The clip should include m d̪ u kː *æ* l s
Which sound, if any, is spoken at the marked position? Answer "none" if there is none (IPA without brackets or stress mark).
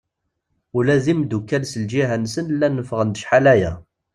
æ